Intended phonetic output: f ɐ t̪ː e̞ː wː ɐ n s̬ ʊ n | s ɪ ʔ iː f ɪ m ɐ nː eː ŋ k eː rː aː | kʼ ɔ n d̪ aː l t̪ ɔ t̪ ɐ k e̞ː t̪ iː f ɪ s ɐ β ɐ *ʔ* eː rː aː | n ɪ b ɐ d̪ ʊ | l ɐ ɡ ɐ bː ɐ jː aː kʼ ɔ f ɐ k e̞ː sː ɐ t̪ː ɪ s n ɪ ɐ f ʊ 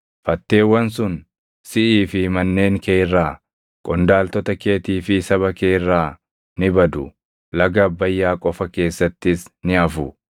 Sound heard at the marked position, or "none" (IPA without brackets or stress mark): k